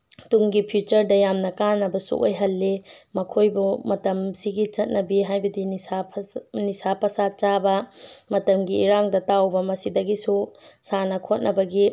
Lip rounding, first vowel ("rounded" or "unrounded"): rounded